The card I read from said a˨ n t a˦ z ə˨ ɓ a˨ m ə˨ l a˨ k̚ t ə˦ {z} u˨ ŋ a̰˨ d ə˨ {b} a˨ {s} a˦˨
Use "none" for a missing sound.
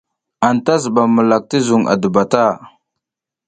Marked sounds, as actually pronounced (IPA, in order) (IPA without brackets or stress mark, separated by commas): z, b, t